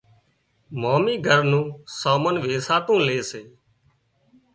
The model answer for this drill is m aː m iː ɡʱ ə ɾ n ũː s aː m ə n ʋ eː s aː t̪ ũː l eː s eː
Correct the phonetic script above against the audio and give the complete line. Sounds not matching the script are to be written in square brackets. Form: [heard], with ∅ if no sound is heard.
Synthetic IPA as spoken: m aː m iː ɡʱ ə ɾ n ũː s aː m ə n ʋ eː s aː t̪ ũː l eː s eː